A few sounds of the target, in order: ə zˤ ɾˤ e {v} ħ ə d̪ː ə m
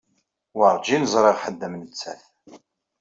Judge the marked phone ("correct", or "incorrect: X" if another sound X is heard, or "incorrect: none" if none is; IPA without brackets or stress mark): incorrect: ʁ